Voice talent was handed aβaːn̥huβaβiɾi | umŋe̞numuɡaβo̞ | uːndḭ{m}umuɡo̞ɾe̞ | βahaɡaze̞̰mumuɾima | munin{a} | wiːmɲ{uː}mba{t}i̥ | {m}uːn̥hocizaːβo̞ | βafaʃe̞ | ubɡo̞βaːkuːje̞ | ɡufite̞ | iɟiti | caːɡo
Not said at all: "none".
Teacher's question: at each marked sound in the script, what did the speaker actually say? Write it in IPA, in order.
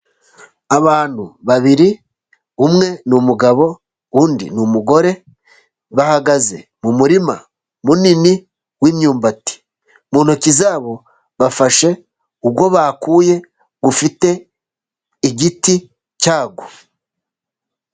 n, i, uː, t, m

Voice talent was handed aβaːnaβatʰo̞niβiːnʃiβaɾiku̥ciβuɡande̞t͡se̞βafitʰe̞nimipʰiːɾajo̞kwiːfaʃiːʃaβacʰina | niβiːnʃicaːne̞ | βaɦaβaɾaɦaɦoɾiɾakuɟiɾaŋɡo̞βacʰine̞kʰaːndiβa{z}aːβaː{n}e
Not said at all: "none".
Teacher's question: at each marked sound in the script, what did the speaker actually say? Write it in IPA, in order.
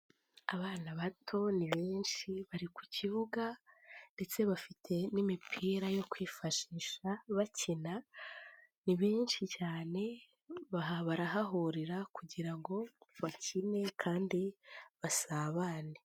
s, n

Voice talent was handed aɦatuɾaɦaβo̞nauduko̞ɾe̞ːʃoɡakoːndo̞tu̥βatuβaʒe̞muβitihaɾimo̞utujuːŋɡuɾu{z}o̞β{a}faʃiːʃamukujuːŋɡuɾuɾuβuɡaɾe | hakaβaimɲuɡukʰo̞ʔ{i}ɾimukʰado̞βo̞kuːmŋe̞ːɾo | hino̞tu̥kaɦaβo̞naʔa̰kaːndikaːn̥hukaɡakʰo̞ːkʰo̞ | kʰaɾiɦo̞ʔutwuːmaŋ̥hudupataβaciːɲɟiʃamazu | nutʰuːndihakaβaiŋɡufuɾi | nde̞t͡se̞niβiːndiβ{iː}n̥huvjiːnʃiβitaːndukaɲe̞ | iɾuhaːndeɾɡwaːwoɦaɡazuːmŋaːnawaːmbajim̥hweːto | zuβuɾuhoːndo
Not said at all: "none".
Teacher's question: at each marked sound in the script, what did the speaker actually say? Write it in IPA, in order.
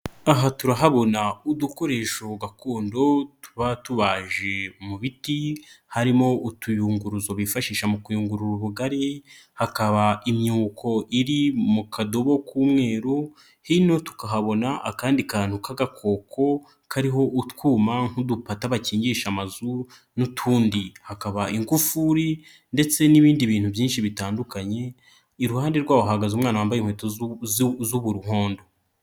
z, i, i, iː

